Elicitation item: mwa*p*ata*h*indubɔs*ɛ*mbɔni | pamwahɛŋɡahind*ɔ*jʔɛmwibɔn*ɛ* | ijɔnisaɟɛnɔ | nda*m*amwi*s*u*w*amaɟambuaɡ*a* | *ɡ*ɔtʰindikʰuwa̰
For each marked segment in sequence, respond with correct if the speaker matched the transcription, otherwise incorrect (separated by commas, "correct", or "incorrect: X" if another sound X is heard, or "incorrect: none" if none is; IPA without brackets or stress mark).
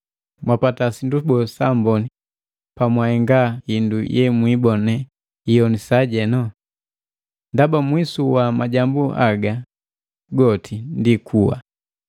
correct, incorrect: s, incorrect: a, incorrect: u, correct, incorrect: b, correct, correct, correct, correct